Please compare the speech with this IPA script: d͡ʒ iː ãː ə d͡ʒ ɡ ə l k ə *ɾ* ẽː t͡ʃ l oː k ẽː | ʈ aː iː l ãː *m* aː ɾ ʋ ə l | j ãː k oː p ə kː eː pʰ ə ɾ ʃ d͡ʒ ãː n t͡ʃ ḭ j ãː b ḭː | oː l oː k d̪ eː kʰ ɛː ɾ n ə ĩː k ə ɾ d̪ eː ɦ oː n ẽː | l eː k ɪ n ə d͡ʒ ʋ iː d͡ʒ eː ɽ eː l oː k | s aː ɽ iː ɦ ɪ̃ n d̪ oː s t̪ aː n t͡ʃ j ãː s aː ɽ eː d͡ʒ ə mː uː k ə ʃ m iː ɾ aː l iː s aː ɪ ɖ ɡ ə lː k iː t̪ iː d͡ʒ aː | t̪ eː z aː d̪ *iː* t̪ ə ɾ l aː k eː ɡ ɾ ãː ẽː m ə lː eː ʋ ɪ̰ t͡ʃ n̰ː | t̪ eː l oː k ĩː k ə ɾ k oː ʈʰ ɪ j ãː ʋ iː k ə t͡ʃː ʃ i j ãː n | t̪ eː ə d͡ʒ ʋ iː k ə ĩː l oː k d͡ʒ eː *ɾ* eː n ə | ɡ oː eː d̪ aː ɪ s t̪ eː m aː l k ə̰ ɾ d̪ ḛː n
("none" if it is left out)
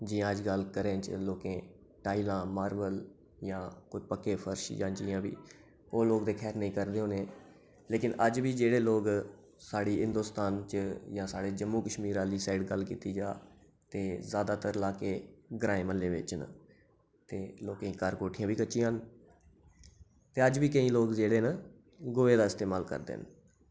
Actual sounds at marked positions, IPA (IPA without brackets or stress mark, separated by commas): ɾ, m, aː, ɽ